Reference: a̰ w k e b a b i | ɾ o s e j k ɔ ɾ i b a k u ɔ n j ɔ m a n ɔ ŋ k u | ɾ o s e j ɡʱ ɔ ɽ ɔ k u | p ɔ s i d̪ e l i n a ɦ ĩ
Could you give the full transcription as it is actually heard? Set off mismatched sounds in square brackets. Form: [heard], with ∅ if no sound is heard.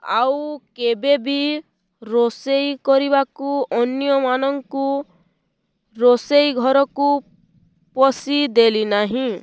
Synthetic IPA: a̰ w k e b [e] b i | ɾ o s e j k ɔ ɾ i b a k u ɔ n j ɔ m a n ɔ ŋ k u | ɾ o s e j ɡʱ ɔ [ɾ] ɔ k u | p ɔ s i d̪ e l i n a ɦ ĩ